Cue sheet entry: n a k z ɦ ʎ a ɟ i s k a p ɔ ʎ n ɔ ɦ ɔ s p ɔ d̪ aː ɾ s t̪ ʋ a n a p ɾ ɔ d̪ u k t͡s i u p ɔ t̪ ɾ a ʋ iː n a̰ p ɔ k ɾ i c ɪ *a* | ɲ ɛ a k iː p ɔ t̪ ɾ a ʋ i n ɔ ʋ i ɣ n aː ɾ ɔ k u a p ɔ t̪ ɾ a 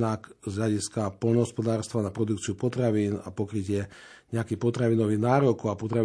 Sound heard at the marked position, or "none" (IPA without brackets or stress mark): ɛ